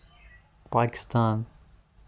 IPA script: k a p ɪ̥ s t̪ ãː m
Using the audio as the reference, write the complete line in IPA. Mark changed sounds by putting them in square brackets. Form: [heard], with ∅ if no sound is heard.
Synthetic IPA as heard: [p] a [k] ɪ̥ s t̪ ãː [n]